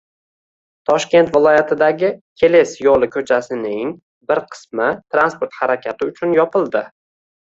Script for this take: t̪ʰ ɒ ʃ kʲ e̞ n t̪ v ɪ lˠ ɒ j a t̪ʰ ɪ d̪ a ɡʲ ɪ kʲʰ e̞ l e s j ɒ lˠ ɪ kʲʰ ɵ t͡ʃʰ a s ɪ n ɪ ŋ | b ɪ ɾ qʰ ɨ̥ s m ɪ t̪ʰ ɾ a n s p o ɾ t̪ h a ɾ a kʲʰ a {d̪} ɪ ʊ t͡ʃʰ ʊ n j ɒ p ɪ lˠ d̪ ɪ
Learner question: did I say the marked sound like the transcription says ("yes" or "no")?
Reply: no